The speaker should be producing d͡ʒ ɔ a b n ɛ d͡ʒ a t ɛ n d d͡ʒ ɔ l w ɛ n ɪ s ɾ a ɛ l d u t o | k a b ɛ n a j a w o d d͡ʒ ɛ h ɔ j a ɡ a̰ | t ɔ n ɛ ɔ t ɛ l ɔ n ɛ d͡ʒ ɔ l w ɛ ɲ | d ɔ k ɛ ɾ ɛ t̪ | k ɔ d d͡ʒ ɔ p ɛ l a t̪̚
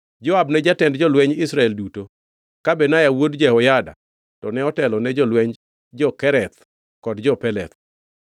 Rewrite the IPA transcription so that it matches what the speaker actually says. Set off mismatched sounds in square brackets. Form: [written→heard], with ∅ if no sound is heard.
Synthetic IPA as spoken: d͡ʒ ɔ a b n ɛ d͡ʒ a t ɛ n d d͡ʒ ɔ l w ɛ [n→ɲ] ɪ s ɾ a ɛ l d u t o | k a b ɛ n a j a w o d d͡ʒ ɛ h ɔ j a [ɡ→d] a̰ | t ɔ n ɛ ɔ t ɛ l ɔ n ɛ d͡ʒ ɔ l w ɛ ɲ | [d→d͡ʒ] ɔ k ɛ ɾ ɛ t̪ | k ɔ d d͡ʒ ɔ p ɛ l [a→ɛ] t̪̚